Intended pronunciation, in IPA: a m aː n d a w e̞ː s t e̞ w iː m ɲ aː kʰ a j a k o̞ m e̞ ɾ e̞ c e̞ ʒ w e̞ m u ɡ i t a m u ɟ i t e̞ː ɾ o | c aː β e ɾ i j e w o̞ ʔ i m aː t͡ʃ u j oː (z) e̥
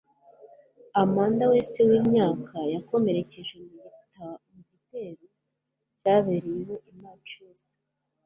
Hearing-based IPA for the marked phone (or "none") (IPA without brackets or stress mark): s